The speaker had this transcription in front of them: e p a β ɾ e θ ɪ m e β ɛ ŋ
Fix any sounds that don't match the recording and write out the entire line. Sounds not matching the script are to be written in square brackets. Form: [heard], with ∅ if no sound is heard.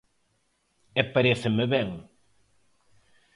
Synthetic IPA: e p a [∅] ɾ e θ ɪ m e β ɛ ŋ

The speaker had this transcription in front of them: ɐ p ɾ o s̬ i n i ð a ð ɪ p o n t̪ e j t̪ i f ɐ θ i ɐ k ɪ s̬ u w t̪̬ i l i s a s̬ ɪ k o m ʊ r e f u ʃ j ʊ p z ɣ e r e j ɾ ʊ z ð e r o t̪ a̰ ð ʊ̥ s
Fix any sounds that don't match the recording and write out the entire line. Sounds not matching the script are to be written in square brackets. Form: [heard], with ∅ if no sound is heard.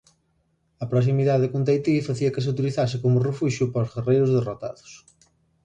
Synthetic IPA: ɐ p ɾ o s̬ i [m] i ð a ð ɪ [k] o n t̪ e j t̪ i f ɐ θ i ɐ k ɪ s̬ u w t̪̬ i l i [θ] a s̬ ɪ k o m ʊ r e f u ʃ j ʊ p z ɣ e r e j ɾ ʊ z ð e r o t̪ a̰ ð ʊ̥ s

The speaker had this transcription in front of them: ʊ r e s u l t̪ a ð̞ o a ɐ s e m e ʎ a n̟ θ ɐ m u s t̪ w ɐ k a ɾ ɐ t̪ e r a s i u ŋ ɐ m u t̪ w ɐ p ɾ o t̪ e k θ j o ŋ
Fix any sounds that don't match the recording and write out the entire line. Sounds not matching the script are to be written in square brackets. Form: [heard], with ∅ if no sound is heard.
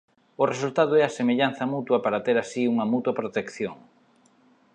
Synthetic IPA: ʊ r e s u l t̪ a ð̞ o [ɛ] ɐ s e m e ʎ a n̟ θ ɐ m u [∅] t̪ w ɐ [p] a ɾ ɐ t̪ e [ɾ] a s i u ŋ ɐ m u t̪ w ɐ p ɾ o t̪ e k θ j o ŋ

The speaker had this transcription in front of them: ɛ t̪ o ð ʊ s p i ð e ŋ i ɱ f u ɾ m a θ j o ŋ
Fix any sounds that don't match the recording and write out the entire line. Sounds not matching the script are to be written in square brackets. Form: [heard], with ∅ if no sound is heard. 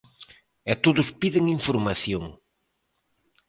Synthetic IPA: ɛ t̪ o ð ʊ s p i ð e ŋ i ɱ f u ɾ m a θ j o ŋ

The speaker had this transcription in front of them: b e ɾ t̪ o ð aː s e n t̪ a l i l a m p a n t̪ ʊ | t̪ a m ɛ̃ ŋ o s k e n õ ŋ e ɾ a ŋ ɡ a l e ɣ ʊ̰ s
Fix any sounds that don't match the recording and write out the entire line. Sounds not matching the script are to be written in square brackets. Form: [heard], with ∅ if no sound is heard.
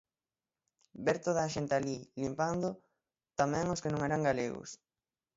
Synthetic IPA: b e ɾ t̪ o ð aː [ʃ] e n t̪ a l i l [i] m p a n [d̪] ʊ | t̪ a m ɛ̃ ŋ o s k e n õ ŋ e ɾ a ŋ ɡ a l e ɣ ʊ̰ s

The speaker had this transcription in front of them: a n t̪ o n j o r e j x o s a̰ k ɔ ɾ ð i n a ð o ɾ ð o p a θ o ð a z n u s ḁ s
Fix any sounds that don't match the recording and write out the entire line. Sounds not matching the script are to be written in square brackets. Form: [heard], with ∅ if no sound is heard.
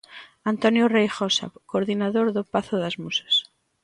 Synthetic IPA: a n t̪ o n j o r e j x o s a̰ k [o] ɾ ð i n a ð o ɾ ð o p a θ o ð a z [m] u s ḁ s

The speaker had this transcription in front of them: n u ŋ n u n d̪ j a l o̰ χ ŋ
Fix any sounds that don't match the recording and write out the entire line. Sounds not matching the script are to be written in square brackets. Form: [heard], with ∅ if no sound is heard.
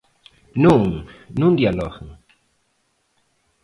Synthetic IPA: n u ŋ n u n d̪ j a l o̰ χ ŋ

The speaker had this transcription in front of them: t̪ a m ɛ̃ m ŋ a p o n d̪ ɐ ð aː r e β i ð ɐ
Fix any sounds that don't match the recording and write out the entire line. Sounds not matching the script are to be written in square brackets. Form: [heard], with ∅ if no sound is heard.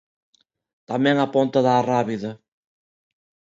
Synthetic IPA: t̪ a m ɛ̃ [∅] ŋ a p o n [t̪] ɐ ð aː r [a] β i ð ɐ

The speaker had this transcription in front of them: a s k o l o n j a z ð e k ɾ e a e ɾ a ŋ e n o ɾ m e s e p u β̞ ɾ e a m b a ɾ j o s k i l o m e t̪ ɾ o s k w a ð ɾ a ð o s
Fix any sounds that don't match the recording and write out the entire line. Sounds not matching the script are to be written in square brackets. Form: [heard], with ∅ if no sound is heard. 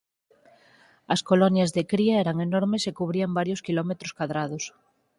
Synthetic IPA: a s k o l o n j a z ð e k ɾ [i] a e ɾ a ŋ e n o ɾ m e s e [k] u β̞ ɾ [i] a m b a ɾ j o s k i l o m e t̪ ɾ o s k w a ð ɾ a ð o s

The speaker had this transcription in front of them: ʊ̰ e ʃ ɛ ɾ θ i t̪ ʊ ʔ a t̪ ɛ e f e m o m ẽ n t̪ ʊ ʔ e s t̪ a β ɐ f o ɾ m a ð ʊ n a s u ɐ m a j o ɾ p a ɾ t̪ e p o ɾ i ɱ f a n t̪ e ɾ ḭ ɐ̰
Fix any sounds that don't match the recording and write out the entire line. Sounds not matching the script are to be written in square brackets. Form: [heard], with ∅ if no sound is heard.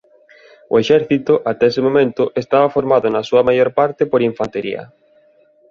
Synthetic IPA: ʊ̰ e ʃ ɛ ɾ θ i t̪ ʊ ʔ a t̪ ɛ e [s] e m o m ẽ n t̪ ʊ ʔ e s t̪ a β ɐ f o ɾ m a ð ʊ n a s u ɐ m a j o ɾ p a ɾ t̪ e p o ɾ i ɱ f a n t̪ e ɾ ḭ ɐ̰

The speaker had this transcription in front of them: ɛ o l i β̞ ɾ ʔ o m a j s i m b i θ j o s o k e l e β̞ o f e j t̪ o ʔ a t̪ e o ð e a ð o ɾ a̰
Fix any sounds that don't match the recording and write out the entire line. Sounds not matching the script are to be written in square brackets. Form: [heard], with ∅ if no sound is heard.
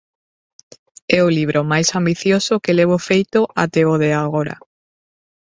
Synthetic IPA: ɛ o l i β̞ ɾ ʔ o m a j s [a] m b i θ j o s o k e l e β̞ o f e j t̪ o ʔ a t̪ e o ð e a [ɣ] o ɾ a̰

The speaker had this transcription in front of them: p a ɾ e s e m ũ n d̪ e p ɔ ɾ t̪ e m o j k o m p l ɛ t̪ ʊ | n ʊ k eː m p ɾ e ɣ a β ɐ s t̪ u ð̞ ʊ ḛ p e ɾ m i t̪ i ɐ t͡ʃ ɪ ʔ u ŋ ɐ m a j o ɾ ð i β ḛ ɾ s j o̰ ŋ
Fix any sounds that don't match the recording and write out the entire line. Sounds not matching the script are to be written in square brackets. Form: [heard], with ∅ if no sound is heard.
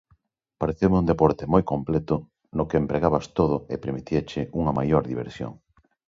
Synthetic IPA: p a ɾ e [θ] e m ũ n d̪ e p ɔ ɾ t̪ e m o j k o m p l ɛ t̪ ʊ | n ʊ k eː m p ɾ e ɣ a β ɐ s t̪ [o] ð̞ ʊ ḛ p e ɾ m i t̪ i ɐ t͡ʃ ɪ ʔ u ŋ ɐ m a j o ɾ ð i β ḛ ɾ s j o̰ ŋ

